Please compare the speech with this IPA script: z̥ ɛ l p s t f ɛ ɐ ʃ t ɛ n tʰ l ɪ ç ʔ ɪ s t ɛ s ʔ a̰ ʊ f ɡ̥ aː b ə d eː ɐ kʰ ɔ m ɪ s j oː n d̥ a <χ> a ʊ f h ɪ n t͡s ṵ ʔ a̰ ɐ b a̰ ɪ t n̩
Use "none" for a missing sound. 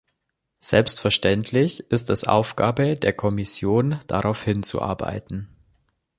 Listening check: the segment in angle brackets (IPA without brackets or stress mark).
ʁ